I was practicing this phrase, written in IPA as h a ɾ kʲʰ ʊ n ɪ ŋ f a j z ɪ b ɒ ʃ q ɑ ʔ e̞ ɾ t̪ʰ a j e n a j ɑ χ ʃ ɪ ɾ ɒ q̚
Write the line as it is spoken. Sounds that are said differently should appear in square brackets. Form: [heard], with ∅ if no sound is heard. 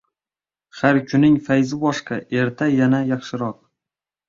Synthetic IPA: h a ɾ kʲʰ ʊ n ɪ ŋ f a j z ɪ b ɒ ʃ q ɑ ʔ e̞ ɾ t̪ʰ a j [a] n a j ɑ χ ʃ ɪ ɾ ɒ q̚